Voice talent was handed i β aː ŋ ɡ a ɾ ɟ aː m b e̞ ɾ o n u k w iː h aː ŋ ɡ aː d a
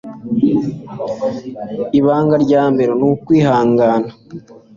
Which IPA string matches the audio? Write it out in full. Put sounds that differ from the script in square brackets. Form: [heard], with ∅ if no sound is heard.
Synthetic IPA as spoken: i β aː ŋ ɡ a ɾ ɟ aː m b e̞ ɾ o n u k w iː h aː ŋ ɡ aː [n] a